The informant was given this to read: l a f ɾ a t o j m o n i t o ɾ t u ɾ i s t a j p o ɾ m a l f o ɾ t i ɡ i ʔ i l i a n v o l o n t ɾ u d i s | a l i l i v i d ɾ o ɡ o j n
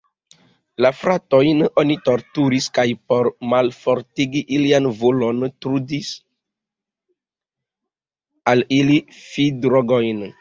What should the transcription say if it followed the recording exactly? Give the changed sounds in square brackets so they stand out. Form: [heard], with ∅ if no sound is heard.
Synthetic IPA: l a f ɾ a t o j [n] o n i t o ɾ t u ɾ i s [k] a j p o ɾ m a l f o ɾ t i ɡ i ʔ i l i a n v o l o n t ɾ u d i s | a l i l i [f] i d ɾ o ɡ o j n